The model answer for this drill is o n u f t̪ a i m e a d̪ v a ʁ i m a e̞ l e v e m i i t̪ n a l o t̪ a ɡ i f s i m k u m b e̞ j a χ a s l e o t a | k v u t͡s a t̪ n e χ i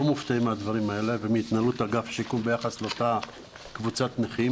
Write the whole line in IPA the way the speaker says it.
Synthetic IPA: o m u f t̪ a i m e a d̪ v a ʁ i m a e̞ l e v e m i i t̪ n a l u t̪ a ɡ a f ʃ i k u m b e̞ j a χ a s l e o t a | k v u t͡s a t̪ n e χ i